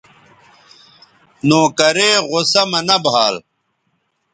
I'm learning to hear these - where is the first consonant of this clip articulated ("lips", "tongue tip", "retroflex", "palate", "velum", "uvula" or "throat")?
tongue tip